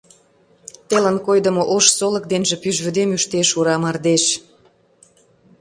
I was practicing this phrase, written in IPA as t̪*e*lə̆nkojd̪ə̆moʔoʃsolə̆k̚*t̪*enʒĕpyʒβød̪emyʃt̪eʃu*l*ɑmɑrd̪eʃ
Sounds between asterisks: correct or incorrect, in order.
correct, incorrect: d̪, incorrect: ɾ

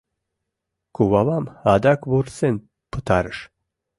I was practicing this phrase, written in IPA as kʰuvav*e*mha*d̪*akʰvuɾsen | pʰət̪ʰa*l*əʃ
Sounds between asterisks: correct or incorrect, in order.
incorrect: a, correct, incorrect: ɾ

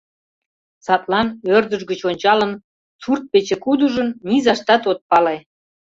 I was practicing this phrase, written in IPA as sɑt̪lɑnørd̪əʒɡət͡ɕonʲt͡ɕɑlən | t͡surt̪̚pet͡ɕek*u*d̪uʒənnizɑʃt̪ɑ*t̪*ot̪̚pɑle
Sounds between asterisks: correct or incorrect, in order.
correct, correct

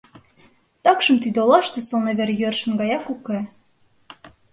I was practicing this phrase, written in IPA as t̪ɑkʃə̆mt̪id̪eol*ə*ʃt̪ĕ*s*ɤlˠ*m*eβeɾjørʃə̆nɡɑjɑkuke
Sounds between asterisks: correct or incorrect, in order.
incorrect: ɑ, correct, incorrect: n

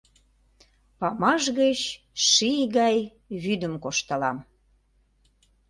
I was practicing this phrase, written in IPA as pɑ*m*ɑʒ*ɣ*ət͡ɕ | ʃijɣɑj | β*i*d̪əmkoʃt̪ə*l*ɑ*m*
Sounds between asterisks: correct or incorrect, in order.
correct, correct, incorrect: y, correct, correct

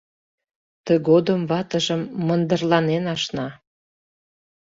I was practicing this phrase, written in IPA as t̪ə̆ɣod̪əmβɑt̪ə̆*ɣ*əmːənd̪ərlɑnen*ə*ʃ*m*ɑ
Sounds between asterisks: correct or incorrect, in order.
incorrect: ʒ, incorrect: ɑ, incorrect: n

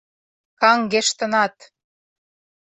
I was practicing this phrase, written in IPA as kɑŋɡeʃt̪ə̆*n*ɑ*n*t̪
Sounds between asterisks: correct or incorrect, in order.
correct, incorrect: none

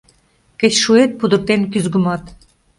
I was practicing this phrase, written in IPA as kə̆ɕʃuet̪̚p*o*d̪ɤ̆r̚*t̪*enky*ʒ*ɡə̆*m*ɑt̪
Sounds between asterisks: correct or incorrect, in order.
incorrect: u, correct, incorrect: z, correct

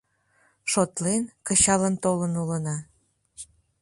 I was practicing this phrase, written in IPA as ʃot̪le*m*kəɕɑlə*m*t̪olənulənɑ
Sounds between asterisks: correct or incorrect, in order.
incorrect: n, incorrect: n

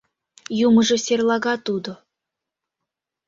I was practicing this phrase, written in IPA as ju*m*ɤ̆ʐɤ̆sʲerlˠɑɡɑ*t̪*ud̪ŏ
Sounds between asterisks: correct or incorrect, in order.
correct, correct

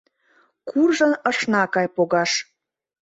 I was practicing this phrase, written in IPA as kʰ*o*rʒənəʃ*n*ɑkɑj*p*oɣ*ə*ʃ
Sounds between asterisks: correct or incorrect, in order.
incorrect: u, correct, correct, incorrect: ɑ

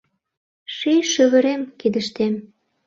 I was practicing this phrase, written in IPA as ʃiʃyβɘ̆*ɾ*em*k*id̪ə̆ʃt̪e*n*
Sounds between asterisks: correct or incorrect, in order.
correct, correct, incorrect: m

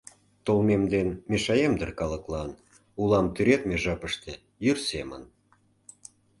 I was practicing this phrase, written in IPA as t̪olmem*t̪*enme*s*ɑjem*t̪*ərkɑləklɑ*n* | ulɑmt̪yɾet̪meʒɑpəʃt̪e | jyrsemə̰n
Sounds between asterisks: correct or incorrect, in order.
incorrect: d̪, incorrect: ʃ, incorrect: d̪, correct

